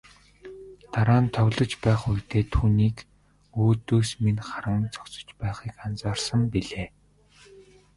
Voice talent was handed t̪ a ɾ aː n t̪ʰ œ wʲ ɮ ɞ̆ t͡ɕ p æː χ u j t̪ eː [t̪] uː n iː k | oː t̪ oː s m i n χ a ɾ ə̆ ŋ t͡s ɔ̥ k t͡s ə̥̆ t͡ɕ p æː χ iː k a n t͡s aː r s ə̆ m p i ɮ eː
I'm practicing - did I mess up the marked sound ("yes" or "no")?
yes